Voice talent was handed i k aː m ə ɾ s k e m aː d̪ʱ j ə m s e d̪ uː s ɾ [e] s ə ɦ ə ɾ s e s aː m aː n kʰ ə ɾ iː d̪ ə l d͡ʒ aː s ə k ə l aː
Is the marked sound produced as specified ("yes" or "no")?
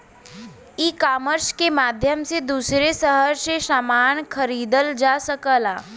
yes